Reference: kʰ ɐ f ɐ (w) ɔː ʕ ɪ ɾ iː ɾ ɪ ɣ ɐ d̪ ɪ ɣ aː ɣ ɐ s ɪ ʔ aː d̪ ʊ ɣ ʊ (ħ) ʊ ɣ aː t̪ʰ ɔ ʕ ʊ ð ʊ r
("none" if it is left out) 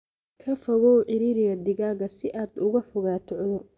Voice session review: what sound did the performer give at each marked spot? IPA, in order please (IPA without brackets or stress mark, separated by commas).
ɣ, ħ